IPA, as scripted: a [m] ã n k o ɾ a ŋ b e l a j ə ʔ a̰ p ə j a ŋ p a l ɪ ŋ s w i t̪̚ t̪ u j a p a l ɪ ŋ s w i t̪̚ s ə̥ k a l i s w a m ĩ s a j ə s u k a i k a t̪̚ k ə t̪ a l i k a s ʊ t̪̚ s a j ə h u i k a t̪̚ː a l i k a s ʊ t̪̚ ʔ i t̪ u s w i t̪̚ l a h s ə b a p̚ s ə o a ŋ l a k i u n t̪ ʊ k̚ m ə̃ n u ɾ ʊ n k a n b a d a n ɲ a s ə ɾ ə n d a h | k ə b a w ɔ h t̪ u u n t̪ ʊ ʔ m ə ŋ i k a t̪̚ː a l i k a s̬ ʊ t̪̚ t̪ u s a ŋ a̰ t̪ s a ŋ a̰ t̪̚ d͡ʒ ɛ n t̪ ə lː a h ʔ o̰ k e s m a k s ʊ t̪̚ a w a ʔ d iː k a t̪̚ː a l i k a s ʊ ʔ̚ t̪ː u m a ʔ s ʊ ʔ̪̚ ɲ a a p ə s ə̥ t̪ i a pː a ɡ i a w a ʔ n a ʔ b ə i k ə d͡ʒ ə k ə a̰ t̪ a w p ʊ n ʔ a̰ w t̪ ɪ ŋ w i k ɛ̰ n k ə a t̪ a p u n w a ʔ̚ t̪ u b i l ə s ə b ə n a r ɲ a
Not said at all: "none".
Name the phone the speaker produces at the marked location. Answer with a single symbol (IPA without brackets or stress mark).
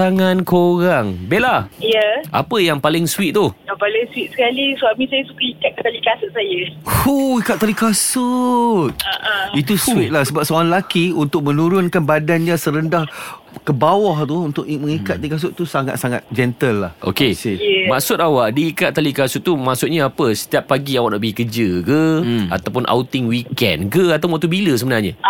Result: ŋ